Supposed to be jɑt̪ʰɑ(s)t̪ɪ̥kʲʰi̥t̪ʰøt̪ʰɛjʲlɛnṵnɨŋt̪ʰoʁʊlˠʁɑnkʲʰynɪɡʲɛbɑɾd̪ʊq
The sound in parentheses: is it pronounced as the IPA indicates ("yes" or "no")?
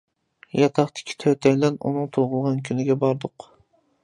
no